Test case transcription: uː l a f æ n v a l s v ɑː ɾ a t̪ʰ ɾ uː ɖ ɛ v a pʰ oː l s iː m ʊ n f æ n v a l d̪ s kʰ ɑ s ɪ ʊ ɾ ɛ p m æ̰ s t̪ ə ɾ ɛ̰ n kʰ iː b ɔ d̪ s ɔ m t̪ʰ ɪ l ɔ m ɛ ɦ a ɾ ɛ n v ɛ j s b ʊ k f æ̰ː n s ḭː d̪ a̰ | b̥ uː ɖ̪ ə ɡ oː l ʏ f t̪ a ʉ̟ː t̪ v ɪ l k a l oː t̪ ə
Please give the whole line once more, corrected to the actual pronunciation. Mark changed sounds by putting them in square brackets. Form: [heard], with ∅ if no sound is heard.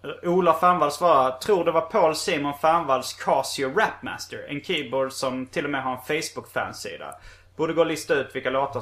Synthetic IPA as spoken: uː l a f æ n v a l s v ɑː ɾ a t̪ʰ ɾ uː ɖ ɛ v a pʰ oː l s iː m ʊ n f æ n v a l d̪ s kʰ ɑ s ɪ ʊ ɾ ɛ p m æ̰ s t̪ ə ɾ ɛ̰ n kʰ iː b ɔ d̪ s ɔ m t̪ʰ ɪ [lː] ɔ m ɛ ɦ a ɾ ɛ n [f] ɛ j s b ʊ k f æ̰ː n s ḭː d̪ a̰ | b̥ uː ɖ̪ ə ɡ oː l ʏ [s] t̪ a ʉ̟ː t̪ v ɪ l k a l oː t̪ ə